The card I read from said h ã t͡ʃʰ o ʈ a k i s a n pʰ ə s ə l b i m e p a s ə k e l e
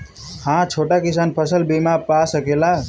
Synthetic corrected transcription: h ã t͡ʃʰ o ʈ a k i s a n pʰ ə s ə l b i m a p a s ə k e l a